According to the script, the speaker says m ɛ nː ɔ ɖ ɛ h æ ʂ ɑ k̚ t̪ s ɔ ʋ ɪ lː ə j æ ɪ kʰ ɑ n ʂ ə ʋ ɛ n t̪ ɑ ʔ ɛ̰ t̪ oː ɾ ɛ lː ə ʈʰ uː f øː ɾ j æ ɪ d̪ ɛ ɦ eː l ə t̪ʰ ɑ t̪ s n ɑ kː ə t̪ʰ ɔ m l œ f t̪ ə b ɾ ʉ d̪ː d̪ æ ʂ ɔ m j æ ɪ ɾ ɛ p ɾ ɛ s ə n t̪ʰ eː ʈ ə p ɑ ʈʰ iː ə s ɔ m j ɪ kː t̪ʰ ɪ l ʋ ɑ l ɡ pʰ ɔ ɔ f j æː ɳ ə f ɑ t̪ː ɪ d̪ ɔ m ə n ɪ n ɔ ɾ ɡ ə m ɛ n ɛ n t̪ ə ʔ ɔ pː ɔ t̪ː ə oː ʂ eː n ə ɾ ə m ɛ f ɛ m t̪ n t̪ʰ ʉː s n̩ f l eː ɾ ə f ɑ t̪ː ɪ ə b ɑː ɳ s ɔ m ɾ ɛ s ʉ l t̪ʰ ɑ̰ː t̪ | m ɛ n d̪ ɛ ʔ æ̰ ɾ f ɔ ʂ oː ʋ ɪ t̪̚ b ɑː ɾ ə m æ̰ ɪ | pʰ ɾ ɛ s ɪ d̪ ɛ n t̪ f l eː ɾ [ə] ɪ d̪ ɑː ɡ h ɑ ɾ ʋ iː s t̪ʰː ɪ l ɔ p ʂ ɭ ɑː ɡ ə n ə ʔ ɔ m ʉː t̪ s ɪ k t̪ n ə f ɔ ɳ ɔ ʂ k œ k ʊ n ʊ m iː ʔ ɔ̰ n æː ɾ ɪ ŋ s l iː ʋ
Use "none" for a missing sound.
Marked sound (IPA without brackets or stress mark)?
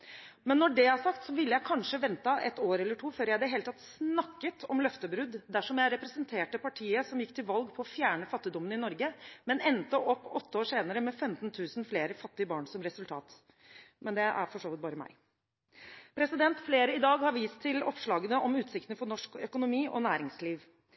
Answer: ə